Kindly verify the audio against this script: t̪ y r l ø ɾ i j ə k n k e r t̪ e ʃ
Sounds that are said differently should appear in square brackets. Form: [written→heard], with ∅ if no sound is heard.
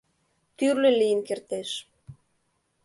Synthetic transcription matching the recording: t̪ y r l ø [ɾ→l] i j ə [k→∅] n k e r t̪ e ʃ